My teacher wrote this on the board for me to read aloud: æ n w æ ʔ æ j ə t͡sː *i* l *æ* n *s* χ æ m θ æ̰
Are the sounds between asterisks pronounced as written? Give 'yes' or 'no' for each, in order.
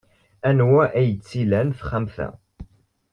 yes, yes, no

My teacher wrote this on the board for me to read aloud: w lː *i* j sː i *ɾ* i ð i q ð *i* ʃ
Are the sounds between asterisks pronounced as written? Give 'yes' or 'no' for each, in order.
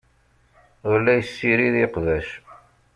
no, yes, no

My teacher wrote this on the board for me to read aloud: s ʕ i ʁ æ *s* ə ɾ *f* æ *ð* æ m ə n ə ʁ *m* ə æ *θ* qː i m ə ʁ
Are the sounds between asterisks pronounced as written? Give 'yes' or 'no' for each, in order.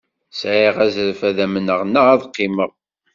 no, yes, yes, no, no

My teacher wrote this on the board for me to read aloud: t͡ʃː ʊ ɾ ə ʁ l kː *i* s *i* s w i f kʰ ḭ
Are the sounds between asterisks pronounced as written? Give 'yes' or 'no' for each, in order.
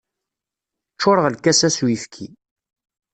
no, no

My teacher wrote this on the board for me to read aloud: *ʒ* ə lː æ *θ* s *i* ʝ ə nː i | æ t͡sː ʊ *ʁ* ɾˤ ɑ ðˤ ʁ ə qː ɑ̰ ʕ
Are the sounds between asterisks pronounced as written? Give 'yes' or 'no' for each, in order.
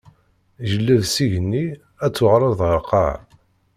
yes, no, yes, yes

